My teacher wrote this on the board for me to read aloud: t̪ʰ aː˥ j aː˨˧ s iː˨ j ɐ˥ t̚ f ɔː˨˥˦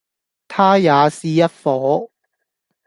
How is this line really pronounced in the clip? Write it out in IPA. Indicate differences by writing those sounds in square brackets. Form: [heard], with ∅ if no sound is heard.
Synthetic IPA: t̪ʰ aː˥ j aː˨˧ s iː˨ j ɐ˥ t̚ f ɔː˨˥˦